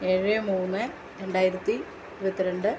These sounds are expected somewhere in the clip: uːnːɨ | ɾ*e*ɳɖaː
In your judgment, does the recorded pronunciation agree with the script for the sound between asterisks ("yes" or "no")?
yes